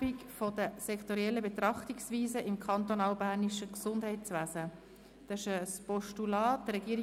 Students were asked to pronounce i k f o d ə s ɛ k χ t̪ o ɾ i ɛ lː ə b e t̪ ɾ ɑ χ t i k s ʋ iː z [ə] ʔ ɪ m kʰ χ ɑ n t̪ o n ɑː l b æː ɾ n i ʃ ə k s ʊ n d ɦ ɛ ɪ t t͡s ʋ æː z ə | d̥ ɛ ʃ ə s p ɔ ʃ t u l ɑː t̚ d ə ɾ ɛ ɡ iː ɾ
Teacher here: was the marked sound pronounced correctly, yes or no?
yes